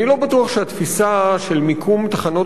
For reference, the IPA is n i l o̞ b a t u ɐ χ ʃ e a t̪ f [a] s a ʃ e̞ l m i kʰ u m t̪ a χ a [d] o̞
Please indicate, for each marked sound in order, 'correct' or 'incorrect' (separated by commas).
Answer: incorrect, incorrect